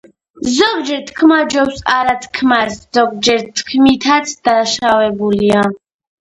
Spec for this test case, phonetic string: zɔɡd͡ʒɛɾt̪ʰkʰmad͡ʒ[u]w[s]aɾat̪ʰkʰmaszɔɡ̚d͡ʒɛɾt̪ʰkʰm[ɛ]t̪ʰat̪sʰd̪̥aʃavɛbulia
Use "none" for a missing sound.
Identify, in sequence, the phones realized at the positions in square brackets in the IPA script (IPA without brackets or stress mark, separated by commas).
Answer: ɔ, s, i